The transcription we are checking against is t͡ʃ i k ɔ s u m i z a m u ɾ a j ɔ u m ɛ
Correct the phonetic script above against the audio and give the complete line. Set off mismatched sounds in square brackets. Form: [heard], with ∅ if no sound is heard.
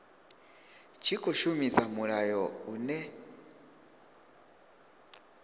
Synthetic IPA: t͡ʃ i k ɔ [ʃ] u m i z a m u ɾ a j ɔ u [n] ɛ